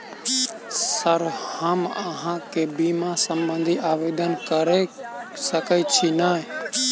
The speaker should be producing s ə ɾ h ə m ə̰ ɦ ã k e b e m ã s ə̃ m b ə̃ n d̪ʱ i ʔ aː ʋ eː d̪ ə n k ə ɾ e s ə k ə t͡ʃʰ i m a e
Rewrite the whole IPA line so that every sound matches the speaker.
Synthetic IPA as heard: s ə ɾ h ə m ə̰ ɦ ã k e b i m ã s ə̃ m b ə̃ n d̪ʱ i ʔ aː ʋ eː d̪ ə n k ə ɾ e s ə k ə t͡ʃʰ i n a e